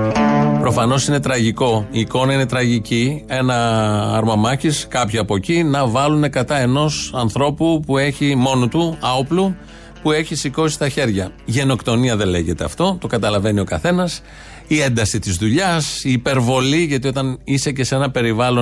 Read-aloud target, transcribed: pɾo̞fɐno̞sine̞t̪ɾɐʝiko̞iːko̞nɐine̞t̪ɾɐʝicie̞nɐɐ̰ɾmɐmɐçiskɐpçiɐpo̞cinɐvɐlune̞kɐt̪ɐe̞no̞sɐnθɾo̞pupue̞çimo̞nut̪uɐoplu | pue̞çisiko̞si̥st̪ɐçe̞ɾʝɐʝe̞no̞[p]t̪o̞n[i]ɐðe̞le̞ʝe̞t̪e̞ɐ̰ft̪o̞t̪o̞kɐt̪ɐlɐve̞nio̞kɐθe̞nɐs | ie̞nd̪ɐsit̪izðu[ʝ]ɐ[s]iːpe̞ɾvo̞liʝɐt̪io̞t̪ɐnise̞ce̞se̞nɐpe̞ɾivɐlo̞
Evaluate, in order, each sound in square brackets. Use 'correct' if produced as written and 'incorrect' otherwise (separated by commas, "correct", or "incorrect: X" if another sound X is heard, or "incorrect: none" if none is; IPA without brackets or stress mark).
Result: incorrect: k, correct, incorrect: ʎ, correct